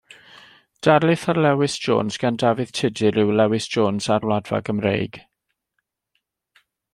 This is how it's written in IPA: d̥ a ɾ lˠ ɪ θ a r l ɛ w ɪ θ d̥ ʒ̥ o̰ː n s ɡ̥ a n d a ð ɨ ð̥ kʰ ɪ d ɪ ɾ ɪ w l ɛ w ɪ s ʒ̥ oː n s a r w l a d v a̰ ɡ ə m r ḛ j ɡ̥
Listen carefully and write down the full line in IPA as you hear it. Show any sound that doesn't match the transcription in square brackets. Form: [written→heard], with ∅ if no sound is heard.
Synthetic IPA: d̥ a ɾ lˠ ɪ θ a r l ɛ w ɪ [θ→s] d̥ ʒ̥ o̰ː n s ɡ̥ a n d a [ð→v] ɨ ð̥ [kʰ→tʰ] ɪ d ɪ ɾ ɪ w l ɛ w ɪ s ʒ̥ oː n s a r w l a d v a̰ ɡ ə m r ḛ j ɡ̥